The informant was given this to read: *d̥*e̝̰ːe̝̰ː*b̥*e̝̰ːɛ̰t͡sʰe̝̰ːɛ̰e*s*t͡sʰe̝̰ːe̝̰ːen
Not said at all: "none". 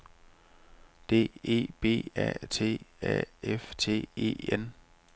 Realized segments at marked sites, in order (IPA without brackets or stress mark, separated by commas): d̥, b̥, f